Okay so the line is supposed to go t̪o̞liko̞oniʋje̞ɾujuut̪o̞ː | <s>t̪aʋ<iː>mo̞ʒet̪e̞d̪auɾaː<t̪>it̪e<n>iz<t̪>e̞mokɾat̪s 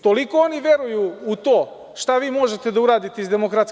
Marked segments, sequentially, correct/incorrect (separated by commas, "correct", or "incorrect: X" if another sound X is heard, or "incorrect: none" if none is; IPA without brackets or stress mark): incorrect: ʃ, correct, incorrect: d̪, incorrect: none, incorrect: d̪